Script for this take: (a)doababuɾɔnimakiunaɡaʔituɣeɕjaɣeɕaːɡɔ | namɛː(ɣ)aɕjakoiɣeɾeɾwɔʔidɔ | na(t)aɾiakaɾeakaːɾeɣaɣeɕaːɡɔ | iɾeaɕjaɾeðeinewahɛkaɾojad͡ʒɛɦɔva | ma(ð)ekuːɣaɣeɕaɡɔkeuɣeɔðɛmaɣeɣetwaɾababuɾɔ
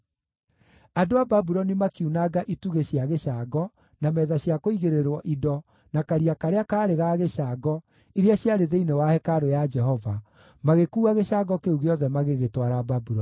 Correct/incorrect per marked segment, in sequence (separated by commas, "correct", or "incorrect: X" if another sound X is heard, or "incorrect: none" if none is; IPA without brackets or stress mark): correct, incorrect: ð, incorrect: k, incorrect: ɣ